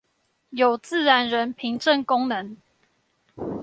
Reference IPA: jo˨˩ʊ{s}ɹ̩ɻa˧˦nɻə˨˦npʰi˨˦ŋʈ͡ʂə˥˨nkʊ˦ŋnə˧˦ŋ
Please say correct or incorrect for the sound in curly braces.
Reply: incorrect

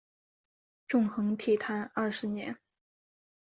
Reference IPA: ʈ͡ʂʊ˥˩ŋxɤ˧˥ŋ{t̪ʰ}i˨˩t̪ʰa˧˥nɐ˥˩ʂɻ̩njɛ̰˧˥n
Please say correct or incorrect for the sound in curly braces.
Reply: correct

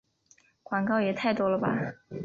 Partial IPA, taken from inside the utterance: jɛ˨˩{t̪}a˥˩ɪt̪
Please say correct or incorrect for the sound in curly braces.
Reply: incorrect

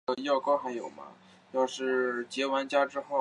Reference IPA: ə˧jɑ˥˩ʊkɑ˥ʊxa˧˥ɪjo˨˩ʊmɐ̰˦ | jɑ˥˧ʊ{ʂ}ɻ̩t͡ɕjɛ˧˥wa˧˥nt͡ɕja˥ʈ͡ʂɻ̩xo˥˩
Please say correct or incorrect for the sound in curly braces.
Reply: correct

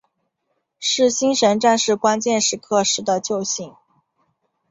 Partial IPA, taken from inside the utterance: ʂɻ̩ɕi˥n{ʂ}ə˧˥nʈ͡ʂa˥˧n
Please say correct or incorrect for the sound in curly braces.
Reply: correct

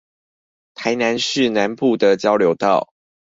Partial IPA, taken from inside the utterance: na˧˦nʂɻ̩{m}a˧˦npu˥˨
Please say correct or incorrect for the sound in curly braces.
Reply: incorrect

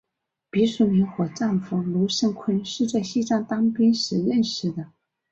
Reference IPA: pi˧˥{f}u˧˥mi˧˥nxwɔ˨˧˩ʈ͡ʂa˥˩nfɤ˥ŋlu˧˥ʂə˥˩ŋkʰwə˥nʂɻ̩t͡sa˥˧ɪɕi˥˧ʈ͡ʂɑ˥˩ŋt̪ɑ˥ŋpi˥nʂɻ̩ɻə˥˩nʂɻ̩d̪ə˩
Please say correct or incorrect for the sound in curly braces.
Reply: incorrect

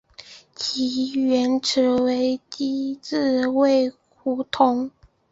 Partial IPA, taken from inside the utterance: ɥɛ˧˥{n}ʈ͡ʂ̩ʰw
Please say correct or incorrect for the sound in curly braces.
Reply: correct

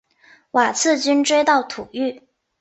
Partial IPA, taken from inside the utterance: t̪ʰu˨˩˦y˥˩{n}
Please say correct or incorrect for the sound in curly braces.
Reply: incorrect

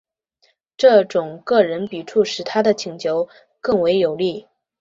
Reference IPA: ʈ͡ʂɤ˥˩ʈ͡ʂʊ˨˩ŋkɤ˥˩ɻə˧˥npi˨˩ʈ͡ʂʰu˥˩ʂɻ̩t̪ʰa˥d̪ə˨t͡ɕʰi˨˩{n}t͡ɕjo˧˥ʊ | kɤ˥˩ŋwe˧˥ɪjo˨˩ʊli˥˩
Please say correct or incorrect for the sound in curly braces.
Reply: incorrect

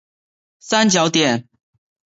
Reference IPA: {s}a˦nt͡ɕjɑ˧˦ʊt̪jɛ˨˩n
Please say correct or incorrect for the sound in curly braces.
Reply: correct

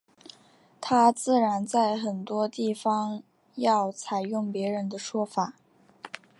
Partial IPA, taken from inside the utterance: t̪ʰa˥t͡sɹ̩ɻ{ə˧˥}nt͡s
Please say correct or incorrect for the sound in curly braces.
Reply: incorrect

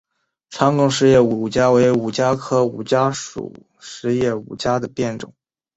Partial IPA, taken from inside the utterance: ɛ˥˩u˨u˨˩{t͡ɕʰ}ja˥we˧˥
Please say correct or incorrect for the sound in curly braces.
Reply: incorrect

